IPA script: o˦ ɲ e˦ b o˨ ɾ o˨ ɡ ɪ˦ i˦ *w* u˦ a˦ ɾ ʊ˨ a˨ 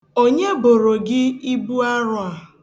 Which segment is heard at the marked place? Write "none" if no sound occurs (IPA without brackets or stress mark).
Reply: b